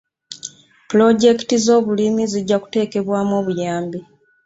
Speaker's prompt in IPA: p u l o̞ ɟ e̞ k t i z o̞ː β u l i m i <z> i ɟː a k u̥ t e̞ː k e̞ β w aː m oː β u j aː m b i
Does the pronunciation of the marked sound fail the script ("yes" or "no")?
no